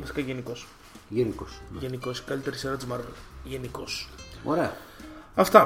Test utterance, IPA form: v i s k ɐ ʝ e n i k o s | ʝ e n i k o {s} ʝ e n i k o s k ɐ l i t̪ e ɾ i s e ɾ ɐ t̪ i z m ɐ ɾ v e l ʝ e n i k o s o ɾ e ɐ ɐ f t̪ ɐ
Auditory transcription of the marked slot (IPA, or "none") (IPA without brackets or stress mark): s